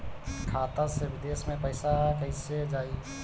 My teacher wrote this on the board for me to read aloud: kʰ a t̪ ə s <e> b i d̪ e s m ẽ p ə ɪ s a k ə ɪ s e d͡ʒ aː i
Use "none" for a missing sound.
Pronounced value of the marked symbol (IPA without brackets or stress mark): e